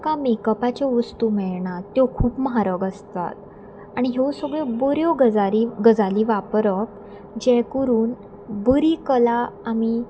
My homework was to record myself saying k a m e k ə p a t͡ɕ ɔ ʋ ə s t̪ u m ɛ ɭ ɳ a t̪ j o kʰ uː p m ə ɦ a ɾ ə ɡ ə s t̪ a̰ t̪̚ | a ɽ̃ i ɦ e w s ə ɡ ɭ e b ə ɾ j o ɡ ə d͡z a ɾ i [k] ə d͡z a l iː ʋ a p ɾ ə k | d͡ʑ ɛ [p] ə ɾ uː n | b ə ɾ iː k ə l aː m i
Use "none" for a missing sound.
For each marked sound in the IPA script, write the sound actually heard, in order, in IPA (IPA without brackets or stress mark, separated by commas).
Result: ɡ, k